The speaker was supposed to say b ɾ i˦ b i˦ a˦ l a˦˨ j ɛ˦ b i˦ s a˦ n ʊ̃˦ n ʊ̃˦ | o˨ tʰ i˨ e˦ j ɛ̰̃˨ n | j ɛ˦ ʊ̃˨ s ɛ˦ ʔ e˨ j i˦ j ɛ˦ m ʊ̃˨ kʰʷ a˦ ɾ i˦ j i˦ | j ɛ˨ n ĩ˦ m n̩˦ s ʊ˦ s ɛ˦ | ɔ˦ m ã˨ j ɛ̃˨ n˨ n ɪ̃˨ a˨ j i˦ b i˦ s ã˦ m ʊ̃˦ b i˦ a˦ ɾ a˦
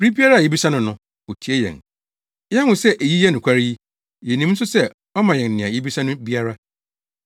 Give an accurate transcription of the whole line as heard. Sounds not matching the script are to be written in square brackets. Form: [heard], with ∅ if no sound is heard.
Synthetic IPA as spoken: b ɾ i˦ b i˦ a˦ [ɾ] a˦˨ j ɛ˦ b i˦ s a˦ n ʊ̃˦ n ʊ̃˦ | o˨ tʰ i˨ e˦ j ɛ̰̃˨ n | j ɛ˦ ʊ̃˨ s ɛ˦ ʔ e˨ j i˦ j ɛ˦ [n] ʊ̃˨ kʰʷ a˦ ɾ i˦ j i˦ | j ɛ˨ n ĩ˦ m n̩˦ s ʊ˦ s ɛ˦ | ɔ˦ m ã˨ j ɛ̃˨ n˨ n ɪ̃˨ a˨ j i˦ b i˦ s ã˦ [n] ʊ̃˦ b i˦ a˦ ɾ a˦